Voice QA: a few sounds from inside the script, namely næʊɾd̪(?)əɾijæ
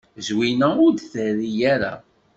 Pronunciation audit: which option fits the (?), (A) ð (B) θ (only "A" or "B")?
B